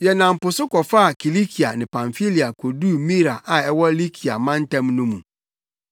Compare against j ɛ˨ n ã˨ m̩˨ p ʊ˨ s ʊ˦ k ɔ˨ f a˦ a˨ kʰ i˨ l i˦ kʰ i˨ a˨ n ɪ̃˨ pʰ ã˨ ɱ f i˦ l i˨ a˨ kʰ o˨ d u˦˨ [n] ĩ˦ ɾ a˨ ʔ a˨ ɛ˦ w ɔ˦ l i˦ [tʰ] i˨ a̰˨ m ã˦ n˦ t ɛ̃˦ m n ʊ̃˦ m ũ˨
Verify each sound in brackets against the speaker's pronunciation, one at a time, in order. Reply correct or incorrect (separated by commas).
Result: incorrect, incorrect